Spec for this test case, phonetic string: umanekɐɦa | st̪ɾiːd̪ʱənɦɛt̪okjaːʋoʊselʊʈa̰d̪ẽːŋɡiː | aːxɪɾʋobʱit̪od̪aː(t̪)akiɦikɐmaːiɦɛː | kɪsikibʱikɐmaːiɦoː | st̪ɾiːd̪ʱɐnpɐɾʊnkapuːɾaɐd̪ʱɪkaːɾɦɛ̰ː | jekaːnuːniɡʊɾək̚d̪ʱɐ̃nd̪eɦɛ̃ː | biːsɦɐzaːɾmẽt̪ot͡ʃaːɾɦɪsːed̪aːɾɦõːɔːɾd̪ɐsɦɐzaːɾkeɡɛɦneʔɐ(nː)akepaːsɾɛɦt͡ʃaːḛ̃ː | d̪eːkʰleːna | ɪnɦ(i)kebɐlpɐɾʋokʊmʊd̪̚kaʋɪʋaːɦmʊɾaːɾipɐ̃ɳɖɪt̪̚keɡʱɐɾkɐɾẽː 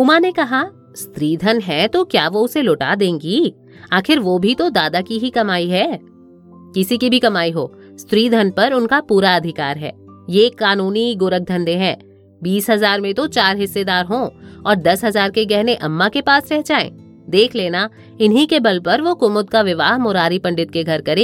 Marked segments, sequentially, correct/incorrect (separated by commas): incorrect, incorrect, correct